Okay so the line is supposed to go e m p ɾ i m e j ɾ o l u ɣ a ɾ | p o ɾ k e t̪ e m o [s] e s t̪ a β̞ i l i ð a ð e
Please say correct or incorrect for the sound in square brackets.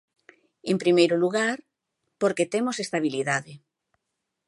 correct